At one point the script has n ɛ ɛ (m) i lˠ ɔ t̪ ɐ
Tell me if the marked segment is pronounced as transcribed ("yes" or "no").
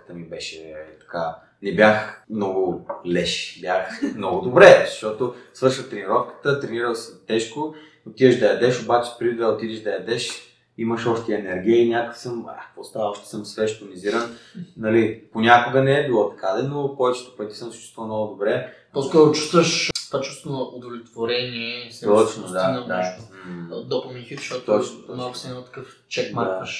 no